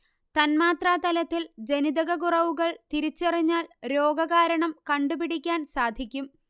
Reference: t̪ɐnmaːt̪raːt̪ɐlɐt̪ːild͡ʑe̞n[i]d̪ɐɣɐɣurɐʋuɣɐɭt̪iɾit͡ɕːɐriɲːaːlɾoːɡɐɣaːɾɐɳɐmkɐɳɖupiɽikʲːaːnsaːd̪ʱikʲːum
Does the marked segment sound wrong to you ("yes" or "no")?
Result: no